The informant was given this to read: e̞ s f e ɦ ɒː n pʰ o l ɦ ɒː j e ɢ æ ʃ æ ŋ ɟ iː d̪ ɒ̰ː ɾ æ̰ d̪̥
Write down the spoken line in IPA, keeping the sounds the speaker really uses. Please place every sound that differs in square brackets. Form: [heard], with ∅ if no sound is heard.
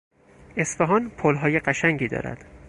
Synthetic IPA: e̞ s f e ɦ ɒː n pʰ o l ɦ ɒː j e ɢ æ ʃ æ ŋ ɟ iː d̪ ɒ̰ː ɾ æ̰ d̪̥